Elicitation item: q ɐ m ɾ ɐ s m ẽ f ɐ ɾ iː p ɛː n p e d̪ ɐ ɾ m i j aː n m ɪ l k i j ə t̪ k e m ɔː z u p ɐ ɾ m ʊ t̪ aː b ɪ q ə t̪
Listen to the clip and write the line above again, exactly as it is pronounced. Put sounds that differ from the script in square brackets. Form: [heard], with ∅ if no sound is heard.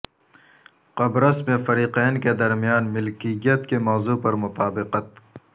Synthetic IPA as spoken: q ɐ [b] ɾ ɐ s m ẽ f ɐ ɾ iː [q] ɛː n [k] e d̪ ɐ ɾ m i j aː n m ɪ l k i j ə t̪ k e m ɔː z u p ɐ ɾ m ʊ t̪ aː b ɪ q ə t̪